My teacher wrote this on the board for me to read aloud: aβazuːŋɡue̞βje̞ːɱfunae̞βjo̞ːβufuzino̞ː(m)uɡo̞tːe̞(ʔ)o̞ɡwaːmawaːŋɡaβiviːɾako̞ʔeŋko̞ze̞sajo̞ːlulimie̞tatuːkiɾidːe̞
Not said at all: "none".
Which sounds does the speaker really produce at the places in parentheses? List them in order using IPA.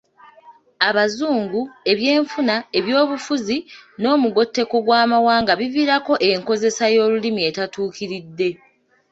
m, k

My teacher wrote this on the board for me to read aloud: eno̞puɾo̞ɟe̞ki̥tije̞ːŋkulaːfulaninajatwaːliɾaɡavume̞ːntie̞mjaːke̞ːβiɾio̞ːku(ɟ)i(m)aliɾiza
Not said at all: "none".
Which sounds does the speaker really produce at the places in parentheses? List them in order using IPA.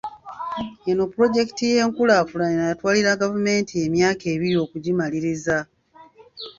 ɟ, m

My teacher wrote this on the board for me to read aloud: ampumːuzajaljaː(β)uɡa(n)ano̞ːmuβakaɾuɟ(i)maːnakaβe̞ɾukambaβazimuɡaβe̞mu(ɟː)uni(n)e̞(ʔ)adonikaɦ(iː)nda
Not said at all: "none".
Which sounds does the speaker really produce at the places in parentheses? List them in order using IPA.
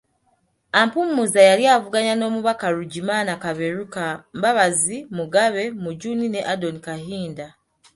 v, ɲ, i, ɟ, n, ʔ, iː

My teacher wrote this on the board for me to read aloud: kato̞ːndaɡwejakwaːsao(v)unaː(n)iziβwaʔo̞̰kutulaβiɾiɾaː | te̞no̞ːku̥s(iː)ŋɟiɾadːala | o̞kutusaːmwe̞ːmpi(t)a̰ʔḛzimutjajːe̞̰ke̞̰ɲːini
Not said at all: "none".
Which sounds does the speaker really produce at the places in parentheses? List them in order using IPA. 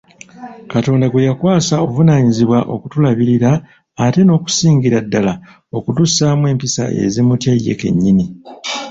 v, ɲ, iː, s

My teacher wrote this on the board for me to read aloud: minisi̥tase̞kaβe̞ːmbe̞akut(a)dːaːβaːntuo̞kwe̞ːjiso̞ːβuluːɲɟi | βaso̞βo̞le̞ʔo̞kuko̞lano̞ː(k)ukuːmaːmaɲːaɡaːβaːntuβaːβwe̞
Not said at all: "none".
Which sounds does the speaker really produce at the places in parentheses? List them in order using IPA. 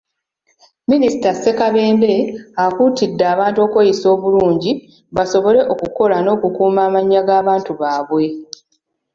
i, k

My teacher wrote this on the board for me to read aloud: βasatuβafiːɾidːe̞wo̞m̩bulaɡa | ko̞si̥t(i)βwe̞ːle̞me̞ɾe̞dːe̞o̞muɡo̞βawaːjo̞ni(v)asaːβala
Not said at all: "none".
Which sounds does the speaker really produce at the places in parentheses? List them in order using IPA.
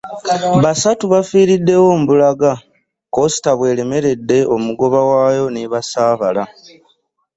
a, β

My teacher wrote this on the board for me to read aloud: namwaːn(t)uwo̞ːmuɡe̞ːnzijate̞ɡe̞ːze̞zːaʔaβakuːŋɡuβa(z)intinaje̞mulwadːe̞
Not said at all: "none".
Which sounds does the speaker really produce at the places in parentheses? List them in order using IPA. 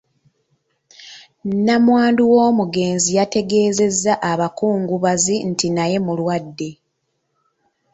d, z

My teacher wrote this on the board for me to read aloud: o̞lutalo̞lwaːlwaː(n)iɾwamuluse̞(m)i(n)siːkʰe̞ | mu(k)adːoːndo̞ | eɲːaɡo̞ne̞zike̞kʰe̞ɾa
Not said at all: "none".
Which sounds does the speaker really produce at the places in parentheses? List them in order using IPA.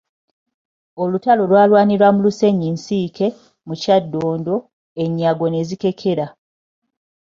n, ɲ, n, c

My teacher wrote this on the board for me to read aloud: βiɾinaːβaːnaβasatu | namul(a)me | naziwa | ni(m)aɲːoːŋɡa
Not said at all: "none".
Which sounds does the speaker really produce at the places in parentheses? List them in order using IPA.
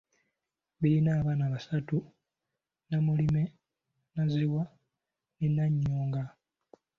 i, n

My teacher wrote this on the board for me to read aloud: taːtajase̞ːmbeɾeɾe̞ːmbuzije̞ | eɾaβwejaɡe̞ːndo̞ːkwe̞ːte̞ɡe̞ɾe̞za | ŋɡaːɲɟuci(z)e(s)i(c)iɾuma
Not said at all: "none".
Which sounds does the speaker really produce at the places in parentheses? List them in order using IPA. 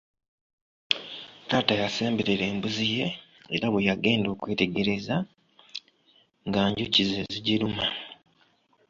z, z, ɟ

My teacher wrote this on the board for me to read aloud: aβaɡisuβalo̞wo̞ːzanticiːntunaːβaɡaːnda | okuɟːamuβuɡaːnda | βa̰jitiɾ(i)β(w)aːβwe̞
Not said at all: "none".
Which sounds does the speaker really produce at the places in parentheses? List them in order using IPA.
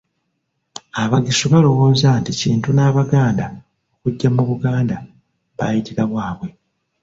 a, w

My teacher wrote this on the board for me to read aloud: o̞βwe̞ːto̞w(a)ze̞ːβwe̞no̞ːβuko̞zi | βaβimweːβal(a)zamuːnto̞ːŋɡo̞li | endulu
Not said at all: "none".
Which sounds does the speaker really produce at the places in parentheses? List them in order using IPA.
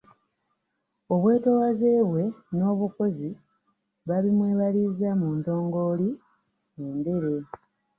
a, i

